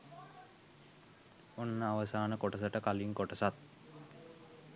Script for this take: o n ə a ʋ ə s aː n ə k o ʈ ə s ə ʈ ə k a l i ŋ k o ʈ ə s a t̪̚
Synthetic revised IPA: o nː ə a ʋ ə s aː n ə k o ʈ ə s ə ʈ ə k a l i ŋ k o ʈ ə s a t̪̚